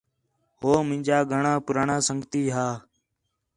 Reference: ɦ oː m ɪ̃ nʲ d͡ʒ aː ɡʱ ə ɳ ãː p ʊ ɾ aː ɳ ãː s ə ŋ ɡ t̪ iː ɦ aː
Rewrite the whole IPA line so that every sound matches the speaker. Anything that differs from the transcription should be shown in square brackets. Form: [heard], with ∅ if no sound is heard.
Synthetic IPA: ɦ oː m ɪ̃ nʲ d͡ʒ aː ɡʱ ə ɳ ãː p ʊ ɾ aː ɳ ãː s ə ŋ ɡ t̪ iː ɦ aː